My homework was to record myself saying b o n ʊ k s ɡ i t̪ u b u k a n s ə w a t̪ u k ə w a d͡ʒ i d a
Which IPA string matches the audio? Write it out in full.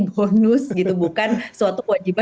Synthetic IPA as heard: b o n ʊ s ɡ i t̪ u b u k a n s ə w a t̪ u k ə w a d͡ʒ i b a